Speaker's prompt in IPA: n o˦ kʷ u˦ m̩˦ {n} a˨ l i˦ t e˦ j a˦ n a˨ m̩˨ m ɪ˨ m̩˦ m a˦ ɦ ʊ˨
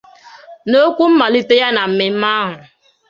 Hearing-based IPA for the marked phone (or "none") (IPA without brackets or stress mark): m